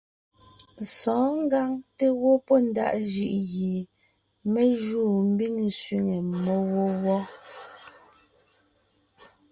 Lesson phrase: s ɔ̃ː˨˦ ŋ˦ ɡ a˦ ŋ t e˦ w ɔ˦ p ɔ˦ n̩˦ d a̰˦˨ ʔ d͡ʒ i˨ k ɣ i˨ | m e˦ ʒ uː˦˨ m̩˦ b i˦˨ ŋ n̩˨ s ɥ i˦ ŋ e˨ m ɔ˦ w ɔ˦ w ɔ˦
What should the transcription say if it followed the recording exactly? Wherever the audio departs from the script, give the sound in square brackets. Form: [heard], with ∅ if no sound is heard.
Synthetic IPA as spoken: s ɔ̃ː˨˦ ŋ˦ ɡ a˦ ŋ t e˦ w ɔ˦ p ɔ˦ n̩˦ d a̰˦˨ ʔ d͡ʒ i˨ [ʔ] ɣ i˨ | m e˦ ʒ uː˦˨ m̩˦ b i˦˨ ŋ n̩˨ s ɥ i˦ ŋ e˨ m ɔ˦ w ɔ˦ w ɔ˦